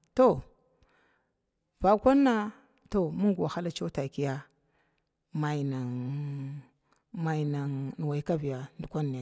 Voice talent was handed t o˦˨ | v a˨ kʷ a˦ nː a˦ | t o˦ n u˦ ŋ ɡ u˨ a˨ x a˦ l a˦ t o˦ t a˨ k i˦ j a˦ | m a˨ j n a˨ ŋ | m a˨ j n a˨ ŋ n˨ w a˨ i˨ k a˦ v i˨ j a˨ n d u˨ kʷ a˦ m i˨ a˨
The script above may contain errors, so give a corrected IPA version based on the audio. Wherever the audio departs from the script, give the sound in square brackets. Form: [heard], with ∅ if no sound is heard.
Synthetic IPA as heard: t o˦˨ | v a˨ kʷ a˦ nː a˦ | t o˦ [m] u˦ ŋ ɡ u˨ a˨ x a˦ l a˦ [t͡ʃ] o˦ t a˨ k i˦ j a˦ | m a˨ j n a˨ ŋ | m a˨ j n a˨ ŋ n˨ w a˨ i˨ k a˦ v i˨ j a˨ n d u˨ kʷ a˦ [n] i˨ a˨